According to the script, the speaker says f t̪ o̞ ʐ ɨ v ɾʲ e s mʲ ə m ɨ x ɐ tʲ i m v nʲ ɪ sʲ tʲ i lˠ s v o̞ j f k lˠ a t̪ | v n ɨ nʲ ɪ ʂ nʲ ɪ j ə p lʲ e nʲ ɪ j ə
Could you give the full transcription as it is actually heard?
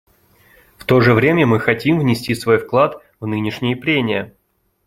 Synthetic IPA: f t̪ o̞ ʐ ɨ v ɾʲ e mʲ ə m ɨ x ɐ tʲ i m v nʲ ɪ sʲ tʲ i s v o̞ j f k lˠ a t̪ | v n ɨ nʲ ɪ ʂ nʲ ɪ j ə p ɾʲ e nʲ ɪ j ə